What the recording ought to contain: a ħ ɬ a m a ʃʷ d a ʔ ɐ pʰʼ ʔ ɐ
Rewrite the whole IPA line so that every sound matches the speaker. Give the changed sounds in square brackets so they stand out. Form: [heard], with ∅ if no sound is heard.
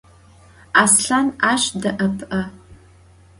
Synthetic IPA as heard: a [s] ɬ a [n] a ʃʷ d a ʔ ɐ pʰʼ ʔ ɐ